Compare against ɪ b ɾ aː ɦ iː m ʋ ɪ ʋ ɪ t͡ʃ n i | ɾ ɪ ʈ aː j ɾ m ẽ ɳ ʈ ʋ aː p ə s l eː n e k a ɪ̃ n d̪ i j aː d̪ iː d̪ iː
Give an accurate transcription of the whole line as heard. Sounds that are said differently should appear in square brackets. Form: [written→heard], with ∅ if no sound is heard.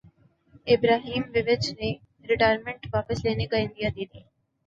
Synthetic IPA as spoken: ɪ b ɾ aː ɦ iː m ʋ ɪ ʋ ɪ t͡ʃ n [i→e] | ɾ ɪ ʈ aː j ɾ m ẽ ɳ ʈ ʋ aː p ə s l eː n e k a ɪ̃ n d̪ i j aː d̪ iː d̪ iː